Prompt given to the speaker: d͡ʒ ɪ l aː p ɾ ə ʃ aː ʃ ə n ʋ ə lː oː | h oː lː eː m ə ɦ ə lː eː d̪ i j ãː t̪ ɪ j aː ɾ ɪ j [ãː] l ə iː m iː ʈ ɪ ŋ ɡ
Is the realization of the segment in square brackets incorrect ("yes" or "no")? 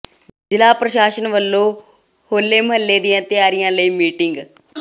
no